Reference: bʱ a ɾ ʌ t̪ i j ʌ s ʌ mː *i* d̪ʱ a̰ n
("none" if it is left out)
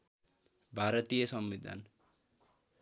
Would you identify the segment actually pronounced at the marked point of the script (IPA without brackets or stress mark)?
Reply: i